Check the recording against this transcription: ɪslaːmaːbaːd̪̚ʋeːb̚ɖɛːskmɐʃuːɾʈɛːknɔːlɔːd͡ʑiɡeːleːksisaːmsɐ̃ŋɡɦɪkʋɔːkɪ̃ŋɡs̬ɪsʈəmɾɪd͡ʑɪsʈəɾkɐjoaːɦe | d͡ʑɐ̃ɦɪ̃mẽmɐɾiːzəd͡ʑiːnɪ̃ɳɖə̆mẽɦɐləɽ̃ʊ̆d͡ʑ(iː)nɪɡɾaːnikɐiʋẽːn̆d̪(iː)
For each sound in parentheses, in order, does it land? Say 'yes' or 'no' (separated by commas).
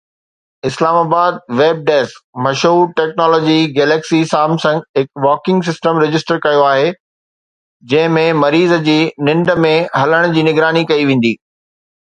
yes, yes